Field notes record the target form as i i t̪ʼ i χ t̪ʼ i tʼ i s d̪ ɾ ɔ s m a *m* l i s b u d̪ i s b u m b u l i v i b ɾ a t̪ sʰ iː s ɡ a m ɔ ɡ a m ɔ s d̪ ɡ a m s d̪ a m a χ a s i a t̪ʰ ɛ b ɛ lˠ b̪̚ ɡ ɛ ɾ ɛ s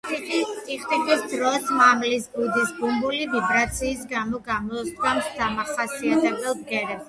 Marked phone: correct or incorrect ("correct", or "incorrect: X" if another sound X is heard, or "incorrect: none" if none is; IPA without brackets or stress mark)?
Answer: correct